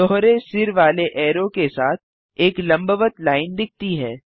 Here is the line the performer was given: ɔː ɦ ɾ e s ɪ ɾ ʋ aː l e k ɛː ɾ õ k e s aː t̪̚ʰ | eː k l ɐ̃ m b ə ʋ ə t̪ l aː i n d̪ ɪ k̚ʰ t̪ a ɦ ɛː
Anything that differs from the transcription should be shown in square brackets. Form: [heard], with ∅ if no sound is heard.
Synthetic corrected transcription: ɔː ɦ ɾ e s ɪ ɾ ʋ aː l e [ʔ] ɛː ɾ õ k e s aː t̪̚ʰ | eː k l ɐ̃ m b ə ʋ ə t̪ l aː [ɪ] n d̪ ɪ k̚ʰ t̪ [i] ɦ ɛː